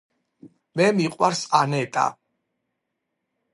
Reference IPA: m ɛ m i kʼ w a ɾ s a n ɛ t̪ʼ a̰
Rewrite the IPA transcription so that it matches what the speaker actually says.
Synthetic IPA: m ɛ m i qʼ w a ɾ s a n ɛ t̪ʼ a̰

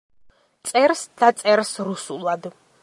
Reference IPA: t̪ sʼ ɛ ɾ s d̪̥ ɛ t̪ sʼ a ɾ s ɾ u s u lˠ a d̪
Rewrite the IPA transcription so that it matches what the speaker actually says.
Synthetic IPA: t̪ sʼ ɛ ɾ s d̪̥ a t̪ sʼ ɛ ɾ s ɾ u s u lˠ a d̪

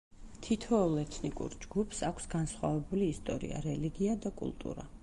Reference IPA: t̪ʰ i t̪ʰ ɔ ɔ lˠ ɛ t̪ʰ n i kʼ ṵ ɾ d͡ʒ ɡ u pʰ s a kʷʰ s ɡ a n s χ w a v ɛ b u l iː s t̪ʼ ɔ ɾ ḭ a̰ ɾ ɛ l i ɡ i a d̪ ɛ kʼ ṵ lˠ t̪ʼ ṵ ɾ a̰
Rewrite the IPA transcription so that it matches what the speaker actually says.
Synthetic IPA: t̪ʰ i t̪ʰ ɔ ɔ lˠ ɛ t̪ʰ n i kʼ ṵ ɾ d͡ʒ ɡ u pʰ s a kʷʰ s ɡ a n s χ w a v ɛ b u l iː s t̪ʼ ɔ ɾ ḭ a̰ ɾ ɛ l i ɡ i a d̪ a kʼ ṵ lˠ t̪ʼ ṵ ɾ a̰

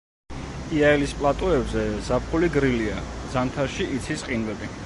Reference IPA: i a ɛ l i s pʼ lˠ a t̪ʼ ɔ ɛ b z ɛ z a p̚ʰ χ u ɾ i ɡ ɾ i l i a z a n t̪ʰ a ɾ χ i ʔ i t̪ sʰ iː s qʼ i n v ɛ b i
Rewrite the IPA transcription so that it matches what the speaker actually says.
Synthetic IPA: i a ɛ l i s pʼ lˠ a t̪ʼ ɔ ɛ b z ɛ z a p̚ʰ χ u l i ɡ ɾ i l i a z a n t̪ʰ a ɾ ʃ i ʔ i t̪ sʰ i s qʼ i n v ɛ b i

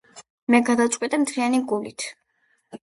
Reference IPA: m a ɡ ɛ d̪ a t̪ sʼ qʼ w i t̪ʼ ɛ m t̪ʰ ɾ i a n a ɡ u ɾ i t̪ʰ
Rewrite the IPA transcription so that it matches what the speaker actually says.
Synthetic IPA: m ɛ ɡ a d̪ a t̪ sʼ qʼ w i t̪ʼ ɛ m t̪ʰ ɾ i a n i ɡ u l i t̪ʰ

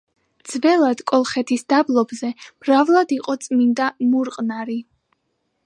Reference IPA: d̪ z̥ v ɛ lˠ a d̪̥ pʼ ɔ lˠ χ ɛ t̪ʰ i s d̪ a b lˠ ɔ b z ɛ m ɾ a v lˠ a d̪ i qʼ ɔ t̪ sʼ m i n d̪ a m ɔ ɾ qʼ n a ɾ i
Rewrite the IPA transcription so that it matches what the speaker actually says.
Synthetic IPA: d̪ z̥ v ɛ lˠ a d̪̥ kʼ ɔ lˠ χ ɛ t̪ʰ i s d̪ a b lˠ ɔ b z ɛ m ɾ a v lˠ a d̪ i qʼ ɔ t̪ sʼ m i n d̪ a m u ɾ qʼ n a ɾ i

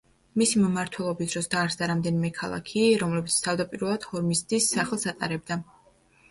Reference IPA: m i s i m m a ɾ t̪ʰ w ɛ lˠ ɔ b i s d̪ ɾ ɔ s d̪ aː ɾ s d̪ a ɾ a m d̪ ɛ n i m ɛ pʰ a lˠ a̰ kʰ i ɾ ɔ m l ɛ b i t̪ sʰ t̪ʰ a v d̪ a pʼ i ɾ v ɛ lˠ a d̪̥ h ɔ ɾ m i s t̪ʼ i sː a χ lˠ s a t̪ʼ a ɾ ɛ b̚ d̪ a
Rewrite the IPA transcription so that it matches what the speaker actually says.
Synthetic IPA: m i s i m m a ɾ t̪ʰ w ɛ lˠ ɔ b i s d̪ ɾ ɔ s d̪ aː ɾ s d̪ a ɾ a m d̪ ɛ n i m ɛ kʰ a lˠ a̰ kʰ i ɾ ɔ m l ɛ b i t̪ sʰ t̪ʰ a v d̪ a pʼ i ɾ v ɛ lˠ a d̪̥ h ɔ ɾ m i s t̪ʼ i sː a χ lˠ s a t̪ʼ a ɾ ɛ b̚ d̪ a

